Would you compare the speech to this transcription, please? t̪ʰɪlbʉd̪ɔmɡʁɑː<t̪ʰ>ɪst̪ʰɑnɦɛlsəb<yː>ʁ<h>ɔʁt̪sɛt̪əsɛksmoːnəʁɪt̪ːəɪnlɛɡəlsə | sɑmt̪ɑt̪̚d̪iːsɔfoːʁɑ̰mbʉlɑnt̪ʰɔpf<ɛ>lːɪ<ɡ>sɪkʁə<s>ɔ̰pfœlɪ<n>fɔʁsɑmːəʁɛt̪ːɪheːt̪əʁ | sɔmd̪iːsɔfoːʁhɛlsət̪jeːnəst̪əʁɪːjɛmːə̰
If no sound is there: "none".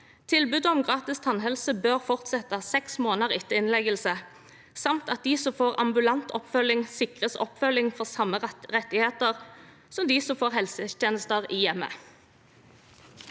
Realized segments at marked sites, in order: t̪, øː, f, œ, ŋ, s, ŋ

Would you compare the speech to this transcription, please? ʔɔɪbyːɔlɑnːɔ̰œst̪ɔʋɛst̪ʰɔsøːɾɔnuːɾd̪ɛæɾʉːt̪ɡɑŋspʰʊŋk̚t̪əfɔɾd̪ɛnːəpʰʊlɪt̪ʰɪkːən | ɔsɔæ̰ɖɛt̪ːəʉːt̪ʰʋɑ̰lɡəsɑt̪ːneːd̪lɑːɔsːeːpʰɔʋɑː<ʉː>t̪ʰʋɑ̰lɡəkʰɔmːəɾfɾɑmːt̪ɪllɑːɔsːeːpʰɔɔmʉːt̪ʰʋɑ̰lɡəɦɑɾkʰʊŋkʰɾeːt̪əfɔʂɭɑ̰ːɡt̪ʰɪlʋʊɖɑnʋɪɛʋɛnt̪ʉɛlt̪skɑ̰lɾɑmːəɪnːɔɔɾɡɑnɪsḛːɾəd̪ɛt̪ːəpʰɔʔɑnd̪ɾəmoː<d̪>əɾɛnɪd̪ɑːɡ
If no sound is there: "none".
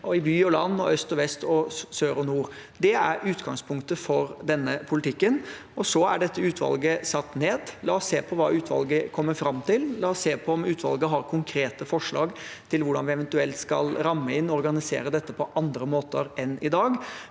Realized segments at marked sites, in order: ʉː, t̪

